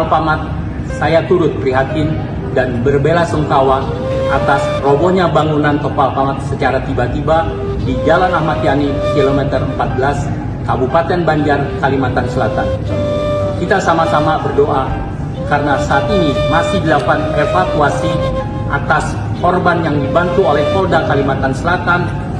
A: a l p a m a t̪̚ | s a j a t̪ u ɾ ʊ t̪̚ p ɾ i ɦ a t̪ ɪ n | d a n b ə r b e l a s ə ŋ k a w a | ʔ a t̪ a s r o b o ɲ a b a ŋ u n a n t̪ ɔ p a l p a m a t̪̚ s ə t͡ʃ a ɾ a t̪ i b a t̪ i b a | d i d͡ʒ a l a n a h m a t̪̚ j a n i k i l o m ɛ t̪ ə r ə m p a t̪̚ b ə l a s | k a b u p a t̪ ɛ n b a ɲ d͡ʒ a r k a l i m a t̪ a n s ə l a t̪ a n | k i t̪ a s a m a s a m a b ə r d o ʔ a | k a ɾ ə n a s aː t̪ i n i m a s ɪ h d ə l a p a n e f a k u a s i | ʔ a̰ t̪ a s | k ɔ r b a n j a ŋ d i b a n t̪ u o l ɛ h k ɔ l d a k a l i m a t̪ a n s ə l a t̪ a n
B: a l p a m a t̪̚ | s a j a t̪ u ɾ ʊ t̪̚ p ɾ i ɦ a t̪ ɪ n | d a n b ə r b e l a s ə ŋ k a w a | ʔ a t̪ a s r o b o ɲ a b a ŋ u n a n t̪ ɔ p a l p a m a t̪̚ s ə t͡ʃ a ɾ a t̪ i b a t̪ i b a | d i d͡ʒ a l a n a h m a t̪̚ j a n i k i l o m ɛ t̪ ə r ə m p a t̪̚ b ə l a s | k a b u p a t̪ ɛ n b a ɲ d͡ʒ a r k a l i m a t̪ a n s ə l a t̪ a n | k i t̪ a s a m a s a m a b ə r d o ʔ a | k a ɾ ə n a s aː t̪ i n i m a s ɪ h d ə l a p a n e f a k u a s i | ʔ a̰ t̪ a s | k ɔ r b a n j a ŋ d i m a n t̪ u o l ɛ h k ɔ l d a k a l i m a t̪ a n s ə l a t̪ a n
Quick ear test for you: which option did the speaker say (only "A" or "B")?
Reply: A